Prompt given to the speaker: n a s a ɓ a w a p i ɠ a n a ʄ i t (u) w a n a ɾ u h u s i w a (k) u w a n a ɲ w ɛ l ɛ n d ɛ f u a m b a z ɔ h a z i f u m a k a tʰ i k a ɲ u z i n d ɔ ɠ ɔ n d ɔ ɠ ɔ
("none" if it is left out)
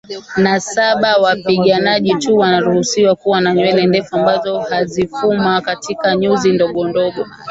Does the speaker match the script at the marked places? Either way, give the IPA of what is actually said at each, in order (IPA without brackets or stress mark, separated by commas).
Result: u, k